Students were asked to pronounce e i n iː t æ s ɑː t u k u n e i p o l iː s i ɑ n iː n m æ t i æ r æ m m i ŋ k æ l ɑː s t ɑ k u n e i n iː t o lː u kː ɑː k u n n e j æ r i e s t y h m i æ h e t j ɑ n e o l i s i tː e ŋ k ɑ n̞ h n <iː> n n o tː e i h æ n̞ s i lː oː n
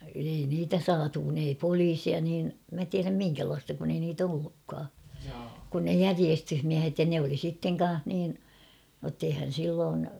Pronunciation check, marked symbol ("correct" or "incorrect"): correct